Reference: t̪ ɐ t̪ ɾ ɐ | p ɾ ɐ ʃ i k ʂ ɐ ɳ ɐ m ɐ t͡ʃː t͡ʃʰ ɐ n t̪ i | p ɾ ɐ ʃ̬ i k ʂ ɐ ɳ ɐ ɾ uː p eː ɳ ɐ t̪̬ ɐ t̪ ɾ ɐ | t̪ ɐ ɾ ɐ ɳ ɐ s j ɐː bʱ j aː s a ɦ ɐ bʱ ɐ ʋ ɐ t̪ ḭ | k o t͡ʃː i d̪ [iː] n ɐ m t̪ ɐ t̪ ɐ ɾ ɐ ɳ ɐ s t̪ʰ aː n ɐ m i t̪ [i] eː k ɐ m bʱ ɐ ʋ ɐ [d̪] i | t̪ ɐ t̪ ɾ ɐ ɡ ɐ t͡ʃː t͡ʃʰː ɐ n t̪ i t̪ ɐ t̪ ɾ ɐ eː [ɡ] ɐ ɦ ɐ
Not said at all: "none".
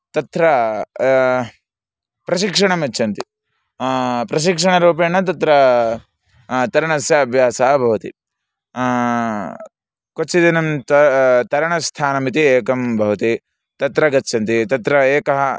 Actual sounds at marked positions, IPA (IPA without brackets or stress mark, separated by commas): i, i, t̪, k